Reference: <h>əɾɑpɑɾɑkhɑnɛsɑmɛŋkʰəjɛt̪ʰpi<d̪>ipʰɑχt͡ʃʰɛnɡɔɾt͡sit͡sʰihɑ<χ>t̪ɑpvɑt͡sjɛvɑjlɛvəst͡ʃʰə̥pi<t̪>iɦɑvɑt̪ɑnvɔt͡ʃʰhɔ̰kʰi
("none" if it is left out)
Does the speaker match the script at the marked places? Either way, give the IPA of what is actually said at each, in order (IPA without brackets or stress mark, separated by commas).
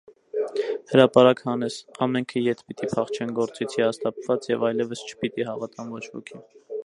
h, t̪, s, t̪